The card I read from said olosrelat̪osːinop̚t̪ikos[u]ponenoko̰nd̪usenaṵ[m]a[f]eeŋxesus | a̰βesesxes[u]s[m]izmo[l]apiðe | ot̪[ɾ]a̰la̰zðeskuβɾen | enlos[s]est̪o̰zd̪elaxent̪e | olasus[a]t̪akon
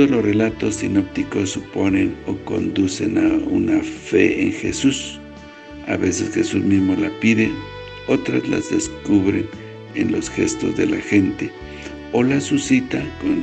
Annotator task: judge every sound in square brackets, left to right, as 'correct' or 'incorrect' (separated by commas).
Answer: correct, incorrect, correct, correct, correct, correct, correct, incorrect, incorrect